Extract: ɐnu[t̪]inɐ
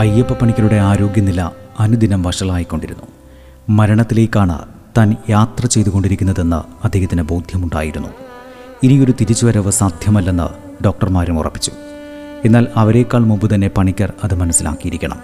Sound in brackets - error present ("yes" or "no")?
yes